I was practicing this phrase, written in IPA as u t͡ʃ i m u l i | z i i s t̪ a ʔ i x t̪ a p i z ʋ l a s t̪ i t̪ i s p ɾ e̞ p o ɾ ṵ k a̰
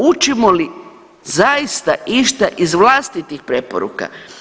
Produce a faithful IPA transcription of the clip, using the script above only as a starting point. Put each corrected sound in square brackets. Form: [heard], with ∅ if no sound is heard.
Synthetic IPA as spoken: u t͡ʃ i m [o] l i | z [a] i s t̪ a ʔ i [ʃ] t̪ a [ʔ] i z ʋ l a s t̪ i t̪ i [x] p ɾ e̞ p o ɾ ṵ k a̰